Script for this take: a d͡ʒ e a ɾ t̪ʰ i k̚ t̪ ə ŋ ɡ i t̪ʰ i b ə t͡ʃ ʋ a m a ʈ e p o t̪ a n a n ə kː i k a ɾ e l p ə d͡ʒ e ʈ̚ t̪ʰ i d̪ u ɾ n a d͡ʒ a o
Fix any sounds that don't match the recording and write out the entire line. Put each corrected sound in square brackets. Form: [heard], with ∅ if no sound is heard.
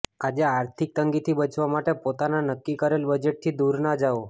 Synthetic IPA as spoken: a d͡ʒ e a ɾ t̪ʰ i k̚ t̪ ə ŋ ɡ i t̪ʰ i b ə t͡ʃ ʋ a m a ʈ e p o t̪ a n a n ə kː i k [ə] ɾ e l [b] ə d͡ʒ e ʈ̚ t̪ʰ i d̪ u ɾ n a d͡ʒ a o